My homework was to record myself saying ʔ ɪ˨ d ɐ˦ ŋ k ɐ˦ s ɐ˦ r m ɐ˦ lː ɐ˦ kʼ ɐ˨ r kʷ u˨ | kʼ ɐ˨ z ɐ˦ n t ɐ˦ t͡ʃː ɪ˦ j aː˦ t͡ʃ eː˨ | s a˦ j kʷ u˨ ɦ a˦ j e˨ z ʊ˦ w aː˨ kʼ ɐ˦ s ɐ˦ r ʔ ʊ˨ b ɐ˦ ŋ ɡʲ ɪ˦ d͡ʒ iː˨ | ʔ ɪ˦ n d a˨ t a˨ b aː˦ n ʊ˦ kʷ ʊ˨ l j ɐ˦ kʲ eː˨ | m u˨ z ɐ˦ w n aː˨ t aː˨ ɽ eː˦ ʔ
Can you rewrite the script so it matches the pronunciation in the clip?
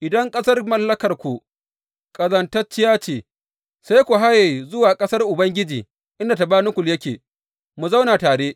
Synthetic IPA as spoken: ʔ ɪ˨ d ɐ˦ ŋ kʼ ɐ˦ s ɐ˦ r m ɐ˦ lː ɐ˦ k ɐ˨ r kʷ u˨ | kʼ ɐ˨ z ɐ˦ n t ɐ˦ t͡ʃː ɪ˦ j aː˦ t͡ʃ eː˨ | s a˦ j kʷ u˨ ɦ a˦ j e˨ z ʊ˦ w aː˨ kʼ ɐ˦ s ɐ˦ r ʔ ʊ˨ b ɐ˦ ŋ ɡʲ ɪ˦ d͡ʒ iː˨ | ʔ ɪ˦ n d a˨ t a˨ b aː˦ n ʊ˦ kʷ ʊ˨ l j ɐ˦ kʲ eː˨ | m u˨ z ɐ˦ w n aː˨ t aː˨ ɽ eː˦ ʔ